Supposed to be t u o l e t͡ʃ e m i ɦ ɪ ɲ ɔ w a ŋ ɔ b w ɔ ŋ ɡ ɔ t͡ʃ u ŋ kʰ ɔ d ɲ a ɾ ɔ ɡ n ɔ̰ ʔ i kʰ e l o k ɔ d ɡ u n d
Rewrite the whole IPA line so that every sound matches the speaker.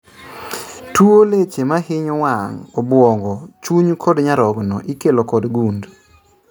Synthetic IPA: t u o l e t͡ʃ e m a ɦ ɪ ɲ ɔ w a ŋ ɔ b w ɔ ŋ ɡ ɔ t͡ʃ u ɲ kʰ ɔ d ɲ a ɾ ɔ ɡ n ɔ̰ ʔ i k e l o k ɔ d ɡ u n d